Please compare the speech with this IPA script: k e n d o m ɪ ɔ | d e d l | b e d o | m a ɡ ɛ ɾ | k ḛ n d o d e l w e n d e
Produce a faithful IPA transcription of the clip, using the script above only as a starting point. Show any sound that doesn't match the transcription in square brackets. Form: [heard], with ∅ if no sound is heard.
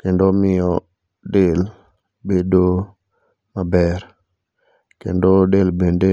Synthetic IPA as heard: k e n d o m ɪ ɔ | d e [∅] l | b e d o | m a [b] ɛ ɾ | k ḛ n d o d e l [b] e n d e